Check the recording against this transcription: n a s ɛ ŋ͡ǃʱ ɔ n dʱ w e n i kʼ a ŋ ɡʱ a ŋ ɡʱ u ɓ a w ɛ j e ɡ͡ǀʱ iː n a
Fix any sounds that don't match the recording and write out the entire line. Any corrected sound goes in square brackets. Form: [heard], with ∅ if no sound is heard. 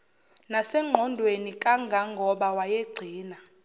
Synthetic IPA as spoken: n a s ɛ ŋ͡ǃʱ ɔ n dʱ w e n i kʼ a ŋ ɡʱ a ŋ ɡʱ [ɔ] ɓ a w [a] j e ɡ͡ǀʱ iː n a

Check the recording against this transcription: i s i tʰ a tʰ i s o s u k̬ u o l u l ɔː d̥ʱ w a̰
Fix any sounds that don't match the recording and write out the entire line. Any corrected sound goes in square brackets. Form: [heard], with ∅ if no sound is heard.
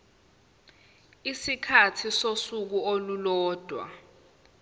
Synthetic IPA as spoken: i s i [kʰ] a tʰ i s o s u k̬ u o l u l ɔː d̥ʱ w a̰

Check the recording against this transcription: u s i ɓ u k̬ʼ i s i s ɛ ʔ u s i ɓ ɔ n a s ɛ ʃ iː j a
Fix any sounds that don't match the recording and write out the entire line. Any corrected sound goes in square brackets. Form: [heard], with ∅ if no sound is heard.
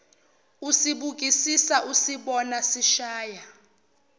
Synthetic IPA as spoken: u s i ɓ u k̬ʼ i s i s [a] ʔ u s i ɓ ɔ n a s [i] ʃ [aː] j a

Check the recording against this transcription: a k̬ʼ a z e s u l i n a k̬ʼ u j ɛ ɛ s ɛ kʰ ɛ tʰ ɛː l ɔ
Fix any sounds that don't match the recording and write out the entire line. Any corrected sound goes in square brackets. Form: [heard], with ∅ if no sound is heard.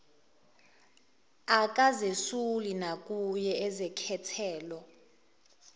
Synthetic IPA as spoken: a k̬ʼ a z e s u l i n a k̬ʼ u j ɛ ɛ [z] ɛ kʰ ɛ tʰ ɛː l ɔ

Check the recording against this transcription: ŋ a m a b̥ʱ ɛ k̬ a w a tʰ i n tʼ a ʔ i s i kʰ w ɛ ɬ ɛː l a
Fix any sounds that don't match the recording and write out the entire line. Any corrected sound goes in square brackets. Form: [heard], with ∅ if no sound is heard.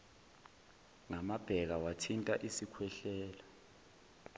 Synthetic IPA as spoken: ŋ a m a b̥ʱ ɛ k̬ a w a tʰ i n tʼ a ʔ i s i kʰ w ɛ ɬ ɛː l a

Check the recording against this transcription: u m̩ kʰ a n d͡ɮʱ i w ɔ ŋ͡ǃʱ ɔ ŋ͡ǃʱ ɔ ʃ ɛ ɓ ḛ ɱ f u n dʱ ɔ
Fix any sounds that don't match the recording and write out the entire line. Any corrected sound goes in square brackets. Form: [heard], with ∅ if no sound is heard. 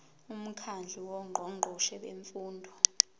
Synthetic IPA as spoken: u m̩ kʰ a n d͡ɮʱ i w ɔ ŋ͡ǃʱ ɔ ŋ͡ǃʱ ɔ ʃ ɛ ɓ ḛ ɱ f [uː] n dʱ ɔ

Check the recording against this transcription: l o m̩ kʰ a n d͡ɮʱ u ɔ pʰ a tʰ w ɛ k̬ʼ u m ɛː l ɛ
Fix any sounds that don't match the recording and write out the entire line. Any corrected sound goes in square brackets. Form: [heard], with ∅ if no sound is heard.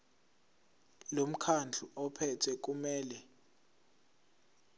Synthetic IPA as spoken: l o m̩ kʰ a n d͡ɮʱ u ɔ pʰ [ɛ] tʰ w ɛ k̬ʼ u m ɛː l ɛ

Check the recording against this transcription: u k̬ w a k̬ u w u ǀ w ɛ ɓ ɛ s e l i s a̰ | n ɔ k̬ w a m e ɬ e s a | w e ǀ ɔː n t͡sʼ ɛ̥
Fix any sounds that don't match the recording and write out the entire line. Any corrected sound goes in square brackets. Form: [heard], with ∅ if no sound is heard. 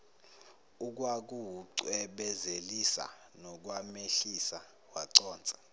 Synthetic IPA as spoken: u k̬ w a k̬ u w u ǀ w ɛ ɓ ɛ [z] e l i s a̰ | n ɔ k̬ w a m e ɬ [i] s a | w [a] ǀ ɔː n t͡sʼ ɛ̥

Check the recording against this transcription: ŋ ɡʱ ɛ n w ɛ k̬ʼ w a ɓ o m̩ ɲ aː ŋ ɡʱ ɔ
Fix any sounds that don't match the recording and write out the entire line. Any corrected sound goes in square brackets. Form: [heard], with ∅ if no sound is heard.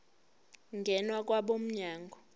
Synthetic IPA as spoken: ŋ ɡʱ ɛ n w [a] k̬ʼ w a ɓ o m̩ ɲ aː ŋ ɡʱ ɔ

